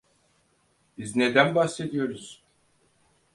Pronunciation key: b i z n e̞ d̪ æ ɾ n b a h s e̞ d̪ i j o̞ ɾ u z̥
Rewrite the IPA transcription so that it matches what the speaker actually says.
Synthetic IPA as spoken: b i z n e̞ d̪ æ n b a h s e̞ d̪ i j o̞ ɾ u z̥